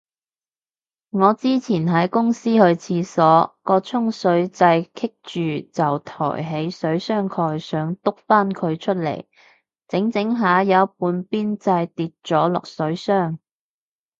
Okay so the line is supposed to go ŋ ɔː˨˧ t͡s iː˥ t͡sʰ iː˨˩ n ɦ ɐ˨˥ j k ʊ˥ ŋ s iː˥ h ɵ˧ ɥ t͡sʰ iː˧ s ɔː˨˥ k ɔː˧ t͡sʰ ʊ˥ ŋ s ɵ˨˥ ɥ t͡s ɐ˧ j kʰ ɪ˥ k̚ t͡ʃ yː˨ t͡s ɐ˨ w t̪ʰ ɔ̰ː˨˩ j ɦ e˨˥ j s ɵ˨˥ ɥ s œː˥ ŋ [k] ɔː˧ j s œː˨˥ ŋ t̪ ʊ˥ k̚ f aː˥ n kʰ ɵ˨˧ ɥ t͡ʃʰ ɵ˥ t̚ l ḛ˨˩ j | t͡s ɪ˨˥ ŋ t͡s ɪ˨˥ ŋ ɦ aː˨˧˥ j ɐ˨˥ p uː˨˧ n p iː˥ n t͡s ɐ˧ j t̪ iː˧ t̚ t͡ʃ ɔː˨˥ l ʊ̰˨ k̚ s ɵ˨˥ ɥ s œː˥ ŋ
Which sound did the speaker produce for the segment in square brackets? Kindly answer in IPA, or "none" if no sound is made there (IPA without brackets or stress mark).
kʰ